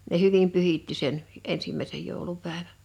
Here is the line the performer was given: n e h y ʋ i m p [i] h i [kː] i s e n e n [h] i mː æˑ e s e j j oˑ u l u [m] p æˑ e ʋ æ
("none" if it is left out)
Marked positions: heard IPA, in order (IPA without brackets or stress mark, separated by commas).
y, tː, s, none